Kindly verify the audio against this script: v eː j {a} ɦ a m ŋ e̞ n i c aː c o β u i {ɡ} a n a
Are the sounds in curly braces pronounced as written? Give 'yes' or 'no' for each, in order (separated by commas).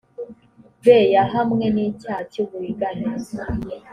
yes, yes